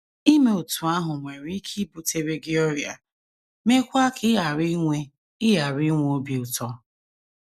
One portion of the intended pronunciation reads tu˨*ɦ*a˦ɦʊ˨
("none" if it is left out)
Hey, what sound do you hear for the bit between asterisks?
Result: none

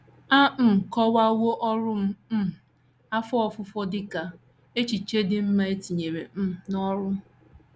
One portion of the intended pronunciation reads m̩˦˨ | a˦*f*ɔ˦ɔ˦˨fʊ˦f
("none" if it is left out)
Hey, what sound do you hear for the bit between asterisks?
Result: f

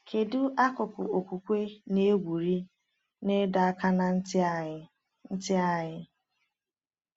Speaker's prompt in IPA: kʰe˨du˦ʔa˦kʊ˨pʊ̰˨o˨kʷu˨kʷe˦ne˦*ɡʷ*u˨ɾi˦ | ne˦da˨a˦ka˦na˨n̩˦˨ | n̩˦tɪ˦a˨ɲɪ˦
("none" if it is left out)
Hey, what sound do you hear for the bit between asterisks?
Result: ɡʷ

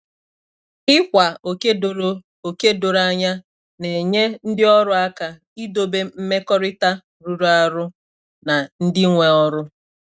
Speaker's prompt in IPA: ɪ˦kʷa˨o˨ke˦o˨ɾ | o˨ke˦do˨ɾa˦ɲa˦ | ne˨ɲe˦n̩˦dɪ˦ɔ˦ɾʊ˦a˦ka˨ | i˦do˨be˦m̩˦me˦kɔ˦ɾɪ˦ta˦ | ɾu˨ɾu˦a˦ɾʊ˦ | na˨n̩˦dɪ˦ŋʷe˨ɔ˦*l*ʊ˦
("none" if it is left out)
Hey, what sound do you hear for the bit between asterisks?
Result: ɾ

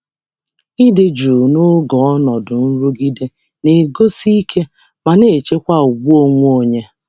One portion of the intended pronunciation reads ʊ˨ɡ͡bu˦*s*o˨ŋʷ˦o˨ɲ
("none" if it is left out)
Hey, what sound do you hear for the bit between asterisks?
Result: none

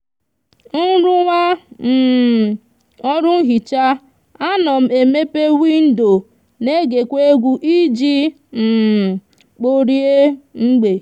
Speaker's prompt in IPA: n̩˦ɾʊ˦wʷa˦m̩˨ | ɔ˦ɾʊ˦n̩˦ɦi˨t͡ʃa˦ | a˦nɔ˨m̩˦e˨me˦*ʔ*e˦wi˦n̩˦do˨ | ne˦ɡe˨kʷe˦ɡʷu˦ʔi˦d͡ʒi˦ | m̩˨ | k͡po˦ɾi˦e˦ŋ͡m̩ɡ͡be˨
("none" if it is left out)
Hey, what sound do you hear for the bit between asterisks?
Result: p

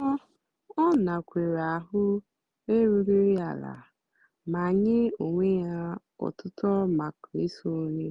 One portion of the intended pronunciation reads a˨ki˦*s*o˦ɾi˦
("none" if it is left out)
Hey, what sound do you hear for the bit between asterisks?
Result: s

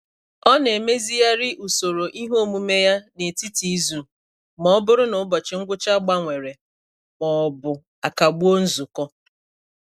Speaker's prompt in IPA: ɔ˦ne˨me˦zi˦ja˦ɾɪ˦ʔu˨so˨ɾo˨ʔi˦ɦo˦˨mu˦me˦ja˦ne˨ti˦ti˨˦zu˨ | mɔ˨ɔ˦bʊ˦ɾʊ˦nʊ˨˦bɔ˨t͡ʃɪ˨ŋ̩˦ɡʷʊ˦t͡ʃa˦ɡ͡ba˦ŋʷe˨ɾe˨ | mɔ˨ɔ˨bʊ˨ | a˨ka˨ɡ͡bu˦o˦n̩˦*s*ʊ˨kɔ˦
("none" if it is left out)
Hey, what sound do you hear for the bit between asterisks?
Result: z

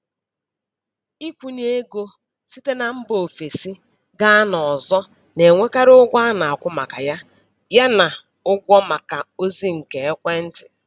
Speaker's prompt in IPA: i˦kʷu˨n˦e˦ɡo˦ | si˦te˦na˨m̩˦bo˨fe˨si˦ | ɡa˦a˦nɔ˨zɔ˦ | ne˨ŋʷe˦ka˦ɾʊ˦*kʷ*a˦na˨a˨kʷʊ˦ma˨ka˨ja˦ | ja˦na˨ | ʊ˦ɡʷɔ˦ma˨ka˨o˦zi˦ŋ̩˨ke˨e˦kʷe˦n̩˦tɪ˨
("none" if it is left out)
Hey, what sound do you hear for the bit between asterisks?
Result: ɡʷ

